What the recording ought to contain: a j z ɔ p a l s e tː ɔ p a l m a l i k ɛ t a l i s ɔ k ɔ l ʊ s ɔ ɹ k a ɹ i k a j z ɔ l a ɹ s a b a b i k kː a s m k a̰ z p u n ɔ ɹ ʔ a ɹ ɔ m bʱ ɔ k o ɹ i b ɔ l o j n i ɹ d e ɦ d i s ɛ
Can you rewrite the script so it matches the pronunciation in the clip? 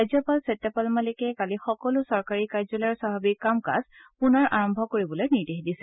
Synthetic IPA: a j z ɔ p a l s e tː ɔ p a l m a l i k ɛ k a l i x ɔ k ɔ l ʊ s ɔ ɹ k a ɹ i k a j z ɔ l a ɹ s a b a b i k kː a m k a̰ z p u n ɔ ɹ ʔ a ɹ ɔ m bʱ ɔ k o ɹ i b ɔ l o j n i ɹ d e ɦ d i s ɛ